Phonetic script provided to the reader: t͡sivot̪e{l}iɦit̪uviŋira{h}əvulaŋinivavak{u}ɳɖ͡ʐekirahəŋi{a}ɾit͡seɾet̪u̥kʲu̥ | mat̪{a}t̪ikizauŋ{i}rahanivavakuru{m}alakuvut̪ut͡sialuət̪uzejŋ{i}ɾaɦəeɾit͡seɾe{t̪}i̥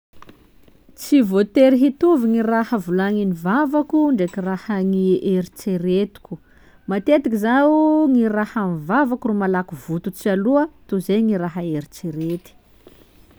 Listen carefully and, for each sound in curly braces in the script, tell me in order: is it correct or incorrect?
incorrect: ɾ, correct, correct, incorrect: e, incorrect: e, correct, correct, correct, correct

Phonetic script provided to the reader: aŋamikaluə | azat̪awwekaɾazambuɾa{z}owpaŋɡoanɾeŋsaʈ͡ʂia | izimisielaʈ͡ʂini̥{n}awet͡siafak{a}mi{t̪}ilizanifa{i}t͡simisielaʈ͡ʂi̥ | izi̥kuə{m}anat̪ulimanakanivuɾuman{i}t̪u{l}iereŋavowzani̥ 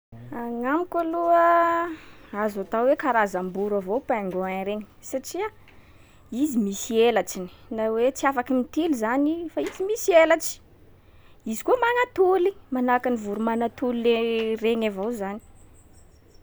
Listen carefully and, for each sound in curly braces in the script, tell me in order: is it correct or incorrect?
incorrect: v, correct, incorrect: i, correct, correct, correct, incorrect: a, correct

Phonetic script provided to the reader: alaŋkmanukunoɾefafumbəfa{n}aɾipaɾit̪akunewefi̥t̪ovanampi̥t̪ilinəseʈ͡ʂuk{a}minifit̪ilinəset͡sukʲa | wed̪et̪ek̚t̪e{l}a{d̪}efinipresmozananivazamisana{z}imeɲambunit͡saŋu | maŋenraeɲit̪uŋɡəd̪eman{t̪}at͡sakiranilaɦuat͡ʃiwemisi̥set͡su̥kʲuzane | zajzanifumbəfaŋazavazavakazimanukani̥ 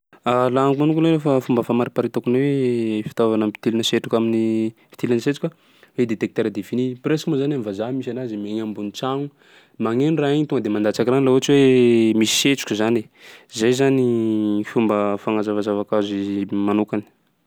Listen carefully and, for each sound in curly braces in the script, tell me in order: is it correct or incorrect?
incorrect: m, correct, incorrect: ɾ, correct, correct, incorrect: d̪

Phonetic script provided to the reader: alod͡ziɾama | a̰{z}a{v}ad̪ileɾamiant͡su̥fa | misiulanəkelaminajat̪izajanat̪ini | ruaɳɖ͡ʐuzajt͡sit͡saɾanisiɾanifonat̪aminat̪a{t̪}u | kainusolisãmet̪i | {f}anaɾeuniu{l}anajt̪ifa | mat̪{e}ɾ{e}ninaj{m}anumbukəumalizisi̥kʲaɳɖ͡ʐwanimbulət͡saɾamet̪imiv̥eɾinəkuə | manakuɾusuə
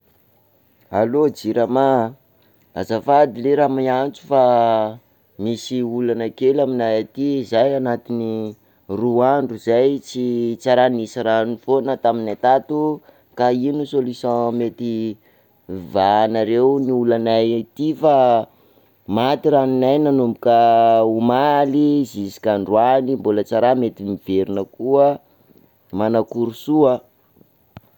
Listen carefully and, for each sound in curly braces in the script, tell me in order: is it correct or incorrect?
correct, incorrect: f, correct, incorrect: v, correct, incorrect: i, incorrect: a, incorrect: n

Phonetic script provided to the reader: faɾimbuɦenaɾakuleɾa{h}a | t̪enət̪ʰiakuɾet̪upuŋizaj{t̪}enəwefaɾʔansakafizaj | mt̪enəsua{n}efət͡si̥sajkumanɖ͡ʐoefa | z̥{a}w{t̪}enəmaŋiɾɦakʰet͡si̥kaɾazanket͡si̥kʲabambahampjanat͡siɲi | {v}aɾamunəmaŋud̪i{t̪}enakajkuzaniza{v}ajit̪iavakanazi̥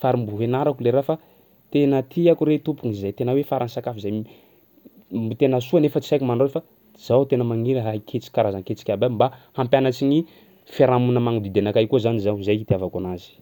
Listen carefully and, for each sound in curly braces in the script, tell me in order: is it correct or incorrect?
incorrect: f, correct, correct, correct, correct, incorrect: f, incorrect: d̪, incorrect: z

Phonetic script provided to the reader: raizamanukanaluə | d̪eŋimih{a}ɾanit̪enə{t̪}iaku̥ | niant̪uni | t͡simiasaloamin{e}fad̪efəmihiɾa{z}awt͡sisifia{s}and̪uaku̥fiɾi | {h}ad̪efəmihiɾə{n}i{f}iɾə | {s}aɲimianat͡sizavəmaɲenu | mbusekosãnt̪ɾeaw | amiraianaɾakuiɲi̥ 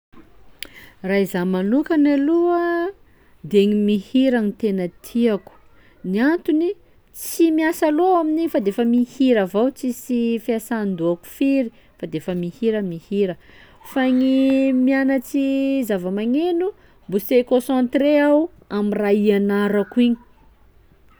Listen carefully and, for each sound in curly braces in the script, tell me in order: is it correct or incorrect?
incorrect: i, incorrect: t̪ʰ, incorrect: i, incorrect: v, correct, incorrect: f, incorrect: m, incorrect: h, incorrect: f

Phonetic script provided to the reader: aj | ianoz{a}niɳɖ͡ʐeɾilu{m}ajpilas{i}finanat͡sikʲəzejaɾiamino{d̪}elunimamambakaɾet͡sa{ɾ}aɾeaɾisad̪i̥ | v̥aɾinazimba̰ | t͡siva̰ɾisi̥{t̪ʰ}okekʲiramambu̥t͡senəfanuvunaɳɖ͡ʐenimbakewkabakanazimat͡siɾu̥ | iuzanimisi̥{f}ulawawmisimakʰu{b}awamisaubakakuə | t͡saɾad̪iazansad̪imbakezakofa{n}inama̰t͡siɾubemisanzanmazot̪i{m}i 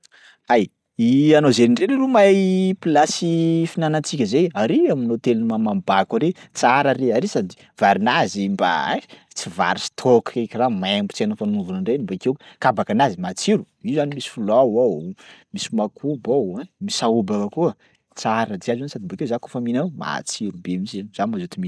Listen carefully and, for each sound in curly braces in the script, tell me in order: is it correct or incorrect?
incorrect: e, correct, correct, incorrect: t̪, correct, correct, correct, correct, incorrect: m, correct

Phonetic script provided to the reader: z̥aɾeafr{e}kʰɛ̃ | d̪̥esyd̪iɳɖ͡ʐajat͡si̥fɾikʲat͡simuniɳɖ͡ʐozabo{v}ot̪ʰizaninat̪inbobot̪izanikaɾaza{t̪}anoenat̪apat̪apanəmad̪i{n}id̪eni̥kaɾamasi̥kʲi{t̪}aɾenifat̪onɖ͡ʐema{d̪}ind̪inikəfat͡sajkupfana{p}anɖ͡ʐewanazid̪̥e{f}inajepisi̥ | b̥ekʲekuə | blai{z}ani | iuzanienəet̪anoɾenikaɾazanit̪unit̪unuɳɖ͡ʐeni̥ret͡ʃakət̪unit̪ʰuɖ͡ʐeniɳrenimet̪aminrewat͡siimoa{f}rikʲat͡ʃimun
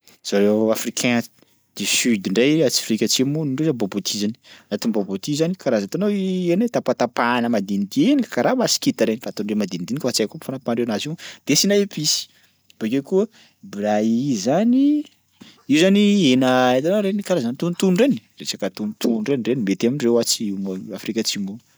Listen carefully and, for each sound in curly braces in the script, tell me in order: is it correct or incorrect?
incorrect: i, incorrect: b, correct, correct, correct, correct, correct, incorrect: s, correct, correct

